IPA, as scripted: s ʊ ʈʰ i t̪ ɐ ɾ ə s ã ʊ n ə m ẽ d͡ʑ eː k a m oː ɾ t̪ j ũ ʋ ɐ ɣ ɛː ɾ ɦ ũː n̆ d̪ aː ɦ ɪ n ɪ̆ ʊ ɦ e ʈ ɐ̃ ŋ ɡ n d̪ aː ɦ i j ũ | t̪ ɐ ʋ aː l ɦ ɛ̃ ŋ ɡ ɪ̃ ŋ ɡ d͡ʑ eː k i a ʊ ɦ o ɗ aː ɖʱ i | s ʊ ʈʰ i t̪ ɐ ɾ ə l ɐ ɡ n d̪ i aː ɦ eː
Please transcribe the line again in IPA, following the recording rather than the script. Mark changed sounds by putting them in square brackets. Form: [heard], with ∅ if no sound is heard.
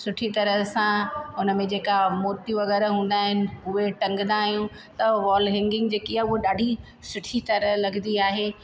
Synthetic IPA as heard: s ʊ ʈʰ i t̪ ɐ ɾ ə s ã ʊ n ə m ẽ d͡ʑ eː k a m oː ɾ t̪ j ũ ʋ ɐ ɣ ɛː ɾ ɦ ũː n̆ d̪ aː ɦ ɪ n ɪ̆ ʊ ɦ e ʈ ɐ̃ ŋ ɡ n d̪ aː ɦ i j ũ | t̪ ɐ ʋ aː l ɦ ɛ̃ ŋ ɡ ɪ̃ ŋ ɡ d͡ʑ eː k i a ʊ ɦ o ɗ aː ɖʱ i | s ʊ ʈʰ i t̪ ɐ ɾ ə l ɐ ɡ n d̪ i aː ɦ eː

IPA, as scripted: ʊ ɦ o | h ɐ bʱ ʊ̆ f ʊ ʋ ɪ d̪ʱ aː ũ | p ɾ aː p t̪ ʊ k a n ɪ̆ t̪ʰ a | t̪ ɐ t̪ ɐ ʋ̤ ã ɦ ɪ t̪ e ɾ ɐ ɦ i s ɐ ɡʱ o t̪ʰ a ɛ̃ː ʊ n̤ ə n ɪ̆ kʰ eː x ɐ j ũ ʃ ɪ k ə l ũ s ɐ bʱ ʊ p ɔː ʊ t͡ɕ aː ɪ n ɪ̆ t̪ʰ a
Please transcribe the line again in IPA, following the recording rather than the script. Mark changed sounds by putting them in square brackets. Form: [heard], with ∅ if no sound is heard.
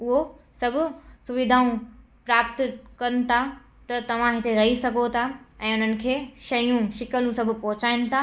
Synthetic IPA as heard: ʊ ɦ o | [s] ɐ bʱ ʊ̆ [s] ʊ ʋ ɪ d̪ʱ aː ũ | p ɾ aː p t̪ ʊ k [ɐ] n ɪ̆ t̪ʰ a | t̪ ɐ t̪ ɐ ʋ̤ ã ɦ ɪ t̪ e ɾ ɐ ɦ i s ɐ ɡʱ o t̪ʰ a ɛ̃ː ʊ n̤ ə n ɪ̆ kʰ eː [ʃ] ɐ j ũ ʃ ɪ k ə l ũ s ɐ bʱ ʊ p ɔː ʊ t͡ɕ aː ɪ n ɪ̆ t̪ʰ a

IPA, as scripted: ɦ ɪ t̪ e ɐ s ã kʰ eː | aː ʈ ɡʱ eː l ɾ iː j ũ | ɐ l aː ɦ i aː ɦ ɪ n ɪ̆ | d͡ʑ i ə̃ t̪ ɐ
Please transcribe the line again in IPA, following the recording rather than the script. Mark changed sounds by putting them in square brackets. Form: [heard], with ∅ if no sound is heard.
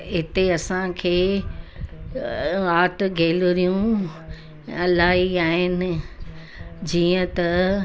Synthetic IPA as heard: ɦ ɪ t̪ e ɐ s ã kʰ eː | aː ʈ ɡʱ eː l ɾ [i] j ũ | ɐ l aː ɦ i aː ɦ ɪ n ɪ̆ | d͡ʑ [iː] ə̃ t̪ ɐ

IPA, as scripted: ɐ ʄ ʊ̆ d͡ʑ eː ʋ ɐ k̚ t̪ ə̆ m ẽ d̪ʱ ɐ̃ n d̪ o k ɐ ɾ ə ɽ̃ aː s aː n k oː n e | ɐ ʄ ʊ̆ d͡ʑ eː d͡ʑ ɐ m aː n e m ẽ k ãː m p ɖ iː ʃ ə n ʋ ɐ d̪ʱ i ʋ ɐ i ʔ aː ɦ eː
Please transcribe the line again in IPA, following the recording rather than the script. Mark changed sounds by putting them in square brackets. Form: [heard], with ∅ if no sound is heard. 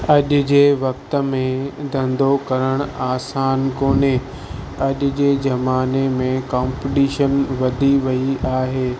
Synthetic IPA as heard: ɐ ʄ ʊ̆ d͡ʑ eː ʋ ɐ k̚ t̪ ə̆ m ẽ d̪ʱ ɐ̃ n d̪ o k ɐ ɾ ə ɽ̃ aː s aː n k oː n e | ɐ ʄ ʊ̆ d͡ʑ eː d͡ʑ ɐ m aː n e m ẽ k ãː m p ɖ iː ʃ ə n ʋ ɐ d̪ʱ i ʋ ɐ i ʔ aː ɦ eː

